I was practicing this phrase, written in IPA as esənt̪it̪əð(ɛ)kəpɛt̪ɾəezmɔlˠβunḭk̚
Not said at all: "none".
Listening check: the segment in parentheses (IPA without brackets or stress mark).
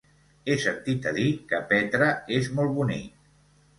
i